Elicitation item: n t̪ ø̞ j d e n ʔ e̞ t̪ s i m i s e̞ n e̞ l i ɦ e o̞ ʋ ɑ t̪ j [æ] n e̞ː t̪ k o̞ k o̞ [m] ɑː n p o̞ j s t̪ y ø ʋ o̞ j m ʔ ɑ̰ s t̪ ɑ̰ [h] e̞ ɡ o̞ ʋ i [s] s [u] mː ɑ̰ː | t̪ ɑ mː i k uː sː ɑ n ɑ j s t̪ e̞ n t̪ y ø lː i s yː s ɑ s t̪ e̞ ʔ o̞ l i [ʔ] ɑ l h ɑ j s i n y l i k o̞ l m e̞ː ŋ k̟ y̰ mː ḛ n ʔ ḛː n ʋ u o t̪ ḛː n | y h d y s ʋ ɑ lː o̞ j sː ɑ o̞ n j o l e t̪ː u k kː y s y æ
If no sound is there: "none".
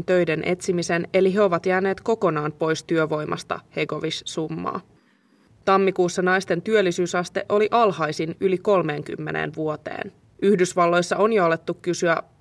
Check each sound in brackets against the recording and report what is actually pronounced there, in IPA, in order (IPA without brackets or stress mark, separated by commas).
æː, n, h, s, u, ʔ